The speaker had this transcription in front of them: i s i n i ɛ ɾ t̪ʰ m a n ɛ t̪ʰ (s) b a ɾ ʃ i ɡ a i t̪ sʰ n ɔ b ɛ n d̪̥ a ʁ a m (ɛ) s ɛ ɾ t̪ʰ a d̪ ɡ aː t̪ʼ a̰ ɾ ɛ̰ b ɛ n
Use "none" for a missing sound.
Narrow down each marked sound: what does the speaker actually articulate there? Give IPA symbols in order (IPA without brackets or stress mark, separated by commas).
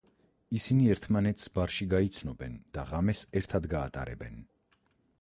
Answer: s, ɛ